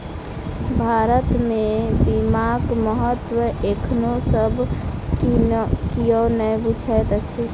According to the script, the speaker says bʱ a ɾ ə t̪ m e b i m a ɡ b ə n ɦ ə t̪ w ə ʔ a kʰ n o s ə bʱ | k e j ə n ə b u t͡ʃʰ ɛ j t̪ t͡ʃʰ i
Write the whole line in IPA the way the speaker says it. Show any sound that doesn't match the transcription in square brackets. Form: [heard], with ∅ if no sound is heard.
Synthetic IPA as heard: bʱ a ɾ ə t̪ m e b i m a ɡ [m] ə [∅] ɦ ə t̪ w ə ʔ [e] kʰ n o s ə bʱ | k [i] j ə n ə b u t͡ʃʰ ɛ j t̪ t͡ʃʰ i